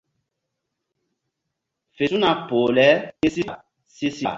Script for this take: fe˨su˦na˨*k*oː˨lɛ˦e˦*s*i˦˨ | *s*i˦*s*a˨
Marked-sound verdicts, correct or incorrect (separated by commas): incorrect, correct, correct, correct